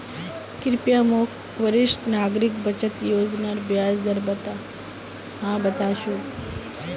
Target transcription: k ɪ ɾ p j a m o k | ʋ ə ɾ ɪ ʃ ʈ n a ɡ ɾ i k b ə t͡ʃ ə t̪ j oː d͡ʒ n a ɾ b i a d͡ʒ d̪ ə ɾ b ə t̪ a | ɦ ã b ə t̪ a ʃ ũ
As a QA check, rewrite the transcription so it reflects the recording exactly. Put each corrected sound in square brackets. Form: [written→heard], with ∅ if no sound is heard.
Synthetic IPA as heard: k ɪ ɾ p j a m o k | ʋ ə ɾ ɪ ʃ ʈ n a ɡ ɾ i k b ə t͡ʃ ə t̪ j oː d͡ʒ n a ɾ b [i→j] a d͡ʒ d̪ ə ɾ b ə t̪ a | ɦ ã b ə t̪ a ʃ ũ